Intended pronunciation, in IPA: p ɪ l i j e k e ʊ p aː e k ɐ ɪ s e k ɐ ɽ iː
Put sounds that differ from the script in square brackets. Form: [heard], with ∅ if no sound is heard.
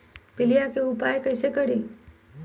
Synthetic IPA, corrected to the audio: p ɪ l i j [a] k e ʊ p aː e k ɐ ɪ s e k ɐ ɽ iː